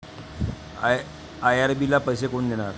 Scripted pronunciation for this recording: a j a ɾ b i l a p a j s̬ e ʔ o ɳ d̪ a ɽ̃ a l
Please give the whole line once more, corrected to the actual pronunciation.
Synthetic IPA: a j a ɾ b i l a p ə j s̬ e k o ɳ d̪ e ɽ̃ a ɾ

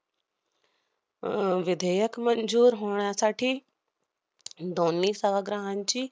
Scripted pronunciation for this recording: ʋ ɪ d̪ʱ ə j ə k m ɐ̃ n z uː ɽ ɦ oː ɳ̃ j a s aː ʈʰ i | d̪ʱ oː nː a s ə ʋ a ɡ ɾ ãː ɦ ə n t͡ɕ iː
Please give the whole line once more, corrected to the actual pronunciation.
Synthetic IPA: ʋ ɪ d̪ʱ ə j ə k m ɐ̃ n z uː ɾ ɦ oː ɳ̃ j a s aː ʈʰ i | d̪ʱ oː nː i s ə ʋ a ɡ ɾ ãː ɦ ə n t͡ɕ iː

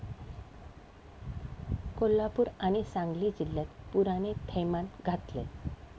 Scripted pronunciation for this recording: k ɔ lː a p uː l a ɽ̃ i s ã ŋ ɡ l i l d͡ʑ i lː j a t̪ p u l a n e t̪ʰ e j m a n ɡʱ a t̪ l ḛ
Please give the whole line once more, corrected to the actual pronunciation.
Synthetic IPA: k o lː a p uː ɾ a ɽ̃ i s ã ŋ ɡ l i d͡ʑ i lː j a t̪ p u ɾ a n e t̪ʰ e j m a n ɡʱ a t̪ l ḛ

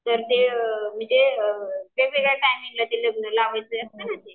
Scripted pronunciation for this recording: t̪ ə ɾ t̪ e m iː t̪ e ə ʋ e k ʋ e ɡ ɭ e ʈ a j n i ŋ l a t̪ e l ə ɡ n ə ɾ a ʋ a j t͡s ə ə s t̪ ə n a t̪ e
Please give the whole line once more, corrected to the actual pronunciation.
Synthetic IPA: t̪ ə ɾ t̪ e m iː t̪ e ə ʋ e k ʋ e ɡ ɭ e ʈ a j m i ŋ l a t̪ e l ə ɡ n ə l a ʋ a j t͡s ə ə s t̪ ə n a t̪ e

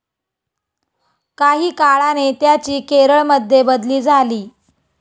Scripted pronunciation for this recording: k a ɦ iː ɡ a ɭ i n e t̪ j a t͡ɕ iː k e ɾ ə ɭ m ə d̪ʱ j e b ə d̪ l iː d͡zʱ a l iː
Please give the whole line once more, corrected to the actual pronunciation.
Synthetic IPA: k a ɦ iː k a ɭ a n e t̪ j a t͡ɕ iː k e ɾ ə ɭ m ə d̪ʱ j e b ə d̪ l iː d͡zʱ a l iː

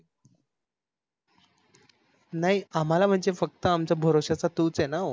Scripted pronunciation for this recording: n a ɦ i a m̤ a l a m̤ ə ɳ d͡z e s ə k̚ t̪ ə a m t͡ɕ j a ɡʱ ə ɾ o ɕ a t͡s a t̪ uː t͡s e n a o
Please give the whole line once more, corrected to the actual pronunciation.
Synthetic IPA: n a ɦ i a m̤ a l a m̤ ə ɳ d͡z e f ə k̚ t̪ ə a m t͡ɕ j a bʱ ə ɾ o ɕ a t͡s a t̪ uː t͡s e n a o

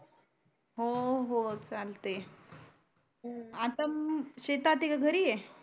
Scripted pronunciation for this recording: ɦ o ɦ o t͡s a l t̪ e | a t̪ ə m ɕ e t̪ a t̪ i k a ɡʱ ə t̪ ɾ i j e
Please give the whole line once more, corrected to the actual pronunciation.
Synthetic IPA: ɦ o ɦ o t͡s a l t̪ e | a t̪ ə m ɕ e t̪ a t̪ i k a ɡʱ ə ɾ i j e

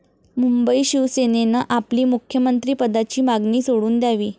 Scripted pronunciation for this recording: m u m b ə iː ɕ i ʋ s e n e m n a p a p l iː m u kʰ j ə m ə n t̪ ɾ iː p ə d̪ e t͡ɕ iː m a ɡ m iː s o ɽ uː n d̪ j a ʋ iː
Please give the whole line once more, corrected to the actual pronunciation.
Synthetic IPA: m u m b ə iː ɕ i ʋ s e n e n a ʔ a p l iː m u kʰ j ə m ə n t̪ ɾ iː p ə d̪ a t͡ɕ iː m a ɡ n iː s o ɽ uː n d̪ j a ʋ iː

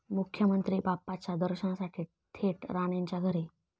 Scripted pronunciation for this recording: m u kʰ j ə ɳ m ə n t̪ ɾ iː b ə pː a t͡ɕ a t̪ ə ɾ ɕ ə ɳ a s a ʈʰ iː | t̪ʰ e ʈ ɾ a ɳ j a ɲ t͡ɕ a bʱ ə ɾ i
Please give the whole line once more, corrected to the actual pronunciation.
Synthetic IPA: m u kʰ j ə m ə n t̪ ɾ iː b a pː a t͡ɕ a d̪ ə ɾ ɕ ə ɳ a s a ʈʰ iː | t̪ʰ e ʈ ɾ a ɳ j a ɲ t͡ɕ a ɡʱ ə ɾ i

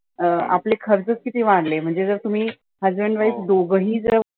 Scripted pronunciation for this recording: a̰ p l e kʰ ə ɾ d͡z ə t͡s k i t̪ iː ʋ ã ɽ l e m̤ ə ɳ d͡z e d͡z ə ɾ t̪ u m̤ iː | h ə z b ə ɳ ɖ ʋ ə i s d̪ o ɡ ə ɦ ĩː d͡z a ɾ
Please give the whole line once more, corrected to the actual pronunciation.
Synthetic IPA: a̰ p l e kʰ ə ɾ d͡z ə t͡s k i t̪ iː ʋ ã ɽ l e m̤ ə ɳ d͡z e d͡z ə ɾ t̪ u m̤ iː | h ə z b ə ɳ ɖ ʋ a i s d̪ o ɡ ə ɦ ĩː d͡z ə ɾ

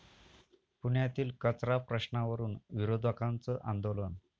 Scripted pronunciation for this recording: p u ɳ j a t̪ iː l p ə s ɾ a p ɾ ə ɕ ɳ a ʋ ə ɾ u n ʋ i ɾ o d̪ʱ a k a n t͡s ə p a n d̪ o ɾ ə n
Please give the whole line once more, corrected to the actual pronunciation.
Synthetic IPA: p u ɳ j a t̪ iː l k ə t͡s ɾ a p ɾ ə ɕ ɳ a ʋ ə ɾ uː n ʋ i ɾ o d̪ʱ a k a n t͡s ə ʔ a n d̪ o l ə n

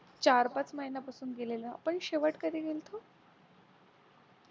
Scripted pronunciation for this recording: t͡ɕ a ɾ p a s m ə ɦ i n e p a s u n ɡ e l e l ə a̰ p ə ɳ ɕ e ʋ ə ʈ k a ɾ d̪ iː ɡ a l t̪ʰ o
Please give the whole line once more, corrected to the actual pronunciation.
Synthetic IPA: t͡ɕ a ɾ p a t͡s m ə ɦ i n a p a s uː n ɡ e l e l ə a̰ p ə ɳ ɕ e ʋ ə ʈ k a d̪ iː ɡ e l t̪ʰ o

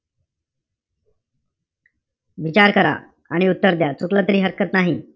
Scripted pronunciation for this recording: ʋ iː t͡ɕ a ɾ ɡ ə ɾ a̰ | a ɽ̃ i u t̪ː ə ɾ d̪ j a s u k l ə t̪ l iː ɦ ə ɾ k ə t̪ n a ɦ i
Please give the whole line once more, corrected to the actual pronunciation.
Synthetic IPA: ʋ i t͡ɕ a ɾ k ə ɾ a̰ | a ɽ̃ i u t̪ː ə ɾ d̪ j a t͡s u k l ə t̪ ɾ iː ɦ ə ɾ k ə t̪ n a ɦ i

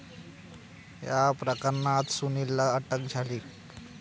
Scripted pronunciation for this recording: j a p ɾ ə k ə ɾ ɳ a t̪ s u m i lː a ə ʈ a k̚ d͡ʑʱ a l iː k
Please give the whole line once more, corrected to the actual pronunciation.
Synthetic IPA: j a p ɾ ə k ə ɾ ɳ a t̪ s u n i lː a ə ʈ ə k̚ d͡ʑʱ a l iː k

